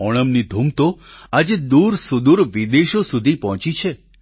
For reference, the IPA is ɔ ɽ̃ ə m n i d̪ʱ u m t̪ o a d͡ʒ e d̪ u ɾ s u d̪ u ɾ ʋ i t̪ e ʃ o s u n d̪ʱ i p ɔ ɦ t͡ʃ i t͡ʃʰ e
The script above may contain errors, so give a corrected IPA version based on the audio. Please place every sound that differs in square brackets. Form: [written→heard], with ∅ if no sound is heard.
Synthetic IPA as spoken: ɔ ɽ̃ ə m n i d̪ʱ u m t̪ o a d͡ʒ e d̪ u ɾ s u d̪ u ɾ ʋ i [t̪→d̪] e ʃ o s u [n→∅] d̪ʱ i p ɔ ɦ t͡ʃ i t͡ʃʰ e